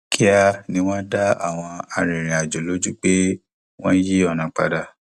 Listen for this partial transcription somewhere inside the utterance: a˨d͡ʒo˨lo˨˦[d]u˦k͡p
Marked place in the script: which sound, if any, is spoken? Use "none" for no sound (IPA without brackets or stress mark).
d͡ʒ